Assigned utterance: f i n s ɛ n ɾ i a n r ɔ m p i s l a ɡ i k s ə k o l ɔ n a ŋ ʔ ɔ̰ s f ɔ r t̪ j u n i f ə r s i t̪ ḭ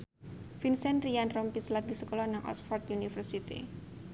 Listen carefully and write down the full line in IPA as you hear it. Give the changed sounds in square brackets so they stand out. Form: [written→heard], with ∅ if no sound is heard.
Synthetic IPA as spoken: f i n s ɛ n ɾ i a n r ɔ m p i s l a ɡ i [k→∅] s ə k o l ɔ n a ŋ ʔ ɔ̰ s f ɔ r t̪ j u n i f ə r s i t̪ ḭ